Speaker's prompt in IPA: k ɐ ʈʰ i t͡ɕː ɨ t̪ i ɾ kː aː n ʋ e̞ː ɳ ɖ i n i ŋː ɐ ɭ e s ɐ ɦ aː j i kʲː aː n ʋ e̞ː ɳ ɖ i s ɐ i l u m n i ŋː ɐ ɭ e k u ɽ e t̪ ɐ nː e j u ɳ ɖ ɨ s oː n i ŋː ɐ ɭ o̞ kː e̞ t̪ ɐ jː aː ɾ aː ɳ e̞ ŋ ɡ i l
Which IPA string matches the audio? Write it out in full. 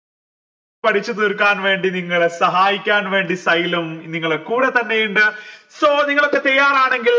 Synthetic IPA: p ɐ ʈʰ i t͡ɕː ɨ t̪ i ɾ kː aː n ʋ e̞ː ɳ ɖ i n i ŋː ɐ ɭ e s ɐ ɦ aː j i kʲː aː n ʋ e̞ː ɳ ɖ i s ɐ j l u m n i ŋː ɐ ɭ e k uː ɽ e t̪ ɐ nː e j u ɳ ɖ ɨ s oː n i ŋː ɐ ɭ o̞ kː e̞ t̪ ɐ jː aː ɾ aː ɳ e̞ ŋ ɡ i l